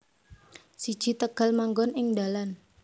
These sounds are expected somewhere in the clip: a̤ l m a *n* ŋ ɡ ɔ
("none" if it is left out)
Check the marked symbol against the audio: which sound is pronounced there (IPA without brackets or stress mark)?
none